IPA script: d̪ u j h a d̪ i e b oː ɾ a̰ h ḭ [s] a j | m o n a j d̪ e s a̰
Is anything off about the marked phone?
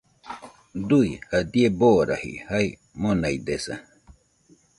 yes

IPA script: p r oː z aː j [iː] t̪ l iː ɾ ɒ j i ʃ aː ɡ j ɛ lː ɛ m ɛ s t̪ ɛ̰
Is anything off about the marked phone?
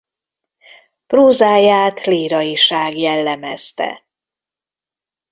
yes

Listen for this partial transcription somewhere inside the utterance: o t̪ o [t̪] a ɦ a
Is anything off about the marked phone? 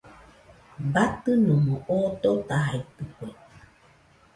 no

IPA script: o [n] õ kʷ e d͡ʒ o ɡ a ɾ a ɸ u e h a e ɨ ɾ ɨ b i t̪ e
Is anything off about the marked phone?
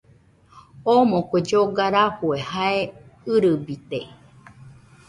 yes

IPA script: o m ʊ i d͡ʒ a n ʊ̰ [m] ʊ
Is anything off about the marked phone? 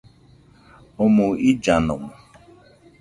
no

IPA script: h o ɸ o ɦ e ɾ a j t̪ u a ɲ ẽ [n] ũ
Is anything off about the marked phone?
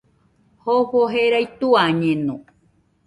no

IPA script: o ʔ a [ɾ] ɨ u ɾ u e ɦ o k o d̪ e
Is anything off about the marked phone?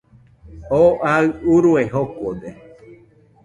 yes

